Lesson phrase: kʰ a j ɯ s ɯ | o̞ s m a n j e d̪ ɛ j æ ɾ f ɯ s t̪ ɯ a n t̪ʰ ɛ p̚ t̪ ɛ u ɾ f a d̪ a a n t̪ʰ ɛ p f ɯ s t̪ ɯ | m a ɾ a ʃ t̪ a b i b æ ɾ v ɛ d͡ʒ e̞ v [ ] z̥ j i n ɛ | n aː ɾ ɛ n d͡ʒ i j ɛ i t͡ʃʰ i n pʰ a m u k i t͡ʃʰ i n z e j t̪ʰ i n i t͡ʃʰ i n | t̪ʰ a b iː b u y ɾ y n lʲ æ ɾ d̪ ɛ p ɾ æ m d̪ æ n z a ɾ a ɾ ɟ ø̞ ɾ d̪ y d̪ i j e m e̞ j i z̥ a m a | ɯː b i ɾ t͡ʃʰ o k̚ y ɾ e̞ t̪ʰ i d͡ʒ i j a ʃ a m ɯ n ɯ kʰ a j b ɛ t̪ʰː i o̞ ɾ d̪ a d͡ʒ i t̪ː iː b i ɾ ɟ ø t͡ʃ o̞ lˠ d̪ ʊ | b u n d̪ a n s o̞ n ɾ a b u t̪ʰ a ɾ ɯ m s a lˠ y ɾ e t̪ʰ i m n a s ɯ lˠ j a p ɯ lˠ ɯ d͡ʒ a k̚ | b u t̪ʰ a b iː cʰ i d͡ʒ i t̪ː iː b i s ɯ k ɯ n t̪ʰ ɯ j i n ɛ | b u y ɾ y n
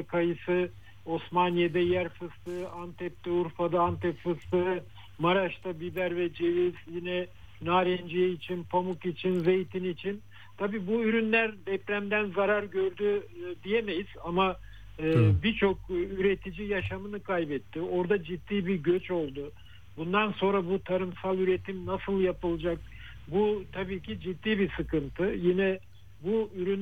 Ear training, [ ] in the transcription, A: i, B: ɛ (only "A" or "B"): A